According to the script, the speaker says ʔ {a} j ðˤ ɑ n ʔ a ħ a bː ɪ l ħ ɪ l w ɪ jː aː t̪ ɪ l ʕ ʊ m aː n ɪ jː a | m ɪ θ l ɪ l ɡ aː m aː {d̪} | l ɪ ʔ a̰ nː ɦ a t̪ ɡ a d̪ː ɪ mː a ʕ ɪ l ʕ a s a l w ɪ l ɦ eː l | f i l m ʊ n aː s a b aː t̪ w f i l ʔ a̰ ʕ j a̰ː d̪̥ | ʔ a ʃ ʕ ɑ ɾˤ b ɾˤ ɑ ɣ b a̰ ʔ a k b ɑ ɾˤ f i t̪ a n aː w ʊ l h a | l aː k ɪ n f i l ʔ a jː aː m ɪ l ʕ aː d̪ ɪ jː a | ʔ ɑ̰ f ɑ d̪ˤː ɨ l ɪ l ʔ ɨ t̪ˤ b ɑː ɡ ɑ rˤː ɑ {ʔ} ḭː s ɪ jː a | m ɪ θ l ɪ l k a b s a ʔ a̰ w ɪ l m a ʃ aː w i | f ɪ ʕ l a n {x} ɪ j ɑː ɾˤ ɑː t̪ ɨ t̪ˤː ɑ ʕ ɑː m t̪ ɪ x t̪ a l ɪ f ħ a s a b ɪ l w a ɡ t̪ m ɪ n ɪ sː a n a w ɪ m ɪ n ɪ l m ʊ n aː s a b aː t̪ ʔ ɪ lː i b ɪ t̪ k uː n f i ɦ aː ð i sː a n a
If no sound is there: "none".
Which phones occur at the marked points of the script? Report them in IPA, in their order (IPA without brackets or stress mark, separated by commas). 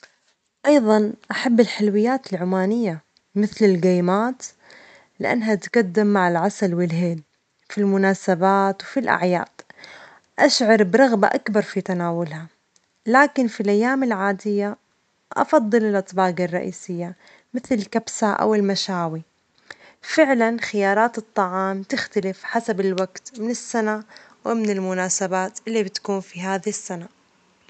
ɑ, t̪, ʔ, x